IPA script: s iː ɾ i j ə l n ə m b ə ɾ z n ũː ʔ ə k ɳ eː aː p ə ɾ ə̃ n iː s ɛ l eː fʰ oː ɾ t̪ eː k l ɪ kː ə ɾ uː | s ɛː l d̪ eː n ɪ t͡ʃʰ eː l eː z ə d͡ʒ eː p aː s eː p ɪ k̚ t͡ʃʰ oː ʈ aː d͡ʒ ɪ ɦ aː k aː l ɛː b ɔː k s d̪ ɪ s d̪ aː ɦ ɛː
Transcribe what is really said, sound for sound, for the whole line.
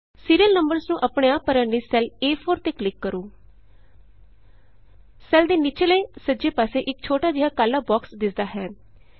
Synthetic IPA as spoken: s iː ɾ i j ə l n ə m b ə ɾ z n ũː ʔ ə p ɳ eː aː p ə ɾ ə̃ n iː s ɛ l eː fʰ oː ɾ t̪ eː k l ɪ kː ə ɾ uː | s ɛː l d̪ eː n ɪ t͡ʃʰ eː l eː s ə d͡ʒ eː p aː s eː ʔ ɪ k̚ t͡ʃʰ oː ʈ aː d͡ʒ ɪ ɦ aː k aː l aː b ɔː k s d̪ ɪ s d̪ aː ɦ ɛː

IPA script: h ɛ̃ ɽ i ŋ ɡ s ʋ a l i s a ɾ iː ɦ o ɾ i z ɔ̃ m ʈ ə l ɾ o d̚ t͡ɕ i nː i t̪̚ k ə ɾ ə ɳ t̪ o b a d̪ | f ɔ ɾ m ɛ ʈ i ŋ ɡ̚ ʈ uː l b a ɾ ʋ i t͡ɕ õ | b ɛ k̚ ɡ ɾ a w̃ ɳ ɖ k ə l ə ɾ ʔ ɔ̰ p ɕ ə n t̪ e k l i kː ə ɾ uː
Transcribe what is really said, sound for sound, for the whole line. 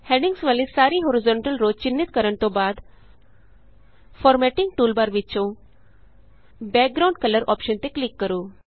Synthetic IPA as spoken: h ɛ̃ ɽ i ŋ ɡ s ʋ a l i s a ɾ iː ɦ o ɾ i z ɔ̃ ɳ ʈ ə l ɾ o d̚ t͡ɕ i nː i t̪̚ k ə ɾ ə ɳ t̪ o b a d̪ | f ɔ ɾ m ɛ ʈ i ŋ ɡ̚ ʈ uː l b a ɾ ʋ i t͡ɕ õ | b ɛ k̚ ɡ ɾ a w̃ ɳ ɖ k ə l ə ɾ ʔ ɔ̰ p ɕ ə n t̪ e k l i kː ə ɾ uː

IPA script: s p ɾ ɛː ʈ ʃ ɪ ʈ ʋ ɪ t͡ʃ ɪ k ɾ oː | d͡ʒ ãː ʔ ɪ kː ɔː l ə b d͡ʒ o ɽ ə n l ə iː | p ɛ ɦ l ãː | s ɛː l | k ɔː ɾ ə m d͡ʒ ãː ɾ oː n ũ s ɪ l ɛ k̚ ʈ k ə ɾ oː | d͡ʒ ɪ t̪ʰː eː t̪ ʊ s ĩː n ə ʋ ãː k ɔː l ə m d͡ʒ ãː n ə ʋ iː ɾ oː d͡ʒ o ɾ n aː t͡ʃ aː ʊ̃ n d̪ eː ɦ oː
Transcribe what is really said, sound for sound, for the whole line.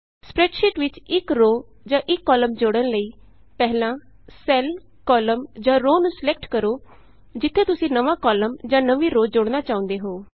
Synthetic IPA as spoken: s p ɾ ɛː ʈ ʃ ɪ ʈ ʋ ɪ t͡ʃ ɪ k ɾ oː | d͡ʒ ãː ʔ ɪ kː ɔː l ə m d͡ʒ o ɽ ə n l ə iː | p ɛ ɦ l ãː | s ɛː l | k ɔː l ə m d͡ʒ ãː ɾ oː n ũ s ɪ l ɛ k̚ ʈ k ə ɾ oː | d͡ʒ ɪ t̪ʰː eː t̪ ʊ s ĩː n ə ʋ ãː k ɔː l ə m d͡ʒ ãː n ə ʋ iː ɾ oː d͡ʒ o ɽ n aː t͡ʃ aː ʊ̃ n d̪ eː ɦ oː

